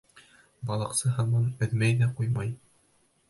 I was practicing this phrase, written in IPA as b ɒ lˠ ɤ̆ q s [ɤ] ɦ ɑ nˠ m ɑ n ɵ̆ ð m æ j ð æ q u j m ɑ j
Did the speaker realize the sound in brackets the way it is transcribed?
yes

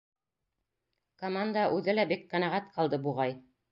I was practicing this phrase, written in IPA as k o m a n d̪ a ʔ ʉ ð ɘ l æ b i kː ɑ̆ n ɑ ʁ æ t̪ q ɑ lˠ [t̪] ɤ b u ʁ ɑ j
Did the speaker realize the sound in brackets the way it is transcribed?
no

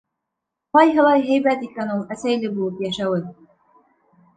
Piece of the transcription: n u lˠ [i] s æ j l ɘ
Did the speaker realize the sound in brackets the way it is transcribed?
no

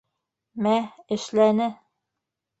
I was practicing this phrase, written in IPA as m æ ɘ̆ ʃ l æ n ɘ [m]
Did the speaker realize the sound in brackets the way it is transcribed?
no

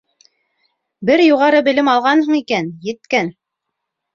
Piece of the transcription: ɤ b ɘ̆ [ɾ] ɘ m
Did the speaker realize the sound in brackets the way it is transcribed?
no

